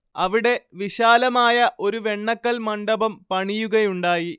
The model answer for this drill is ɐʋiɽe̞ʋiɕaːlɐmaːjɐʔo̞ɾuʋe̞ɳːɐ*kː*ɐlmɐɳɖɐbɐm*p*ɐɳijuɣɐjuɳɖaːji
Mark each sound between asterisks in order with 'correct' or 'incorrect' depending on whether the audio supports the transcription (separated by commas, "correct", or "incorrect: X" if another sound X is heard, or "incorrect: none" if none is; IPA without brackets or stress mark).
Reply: correct, correct